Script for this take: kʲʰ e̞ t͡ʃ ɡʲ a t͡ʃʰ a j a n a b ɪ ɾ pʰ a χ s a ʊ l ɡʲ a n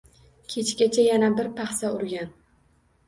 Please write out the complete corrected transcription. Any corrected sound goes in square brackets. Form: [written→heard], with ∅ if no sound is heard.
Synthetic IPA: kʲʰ e̞ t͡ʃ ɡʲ a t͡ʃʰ a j a n a b ɪ ɾ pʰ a χ s a ʊ [l→ɾ] ɡʲ a n